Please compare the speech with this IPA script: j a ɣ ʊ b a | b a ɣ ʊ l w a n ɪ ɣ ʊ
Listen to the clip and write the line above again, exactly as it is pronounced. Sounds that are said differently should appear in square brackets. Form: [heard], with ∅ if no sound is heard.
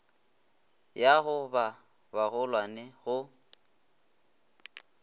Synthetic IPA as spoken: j a ɣ ʊ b a | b a ɣ ʊ l w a n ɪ ɣ ʊ